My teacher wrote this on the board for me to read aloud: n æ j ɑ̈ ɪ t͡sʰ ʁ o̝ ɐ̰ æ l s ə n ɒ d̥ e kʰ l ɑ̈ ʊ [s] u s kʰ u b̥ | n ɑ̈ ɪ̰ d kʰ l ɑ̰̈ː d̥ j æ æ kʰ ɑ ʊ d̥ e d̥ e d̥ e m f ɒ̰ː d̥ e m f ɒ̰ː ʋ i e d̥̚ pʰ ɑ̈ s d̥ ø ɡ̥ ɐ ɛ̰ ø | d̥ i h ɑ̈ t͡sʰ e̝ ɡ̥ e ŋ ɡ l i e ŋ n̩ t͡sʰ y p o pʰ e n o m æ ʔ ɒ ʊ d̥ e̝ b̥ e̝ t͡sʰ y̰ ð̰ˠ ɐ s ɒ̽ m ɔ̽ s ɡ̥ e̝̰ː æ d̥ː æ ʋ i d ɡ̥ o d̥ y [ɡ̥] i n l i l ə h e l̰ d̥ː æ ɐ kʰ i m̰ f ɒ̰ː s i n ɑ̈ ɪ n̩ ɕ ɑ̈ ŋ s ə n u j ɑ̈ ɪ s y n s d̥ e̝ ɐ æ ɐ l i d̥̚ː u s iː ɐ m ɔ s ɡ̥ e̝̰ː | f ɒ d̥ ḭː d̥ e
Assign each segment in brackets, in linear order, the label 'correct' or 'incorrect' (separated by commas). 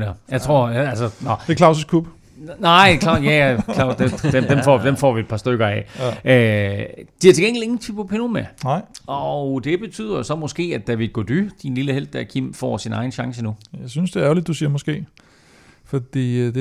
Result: correct, incorrect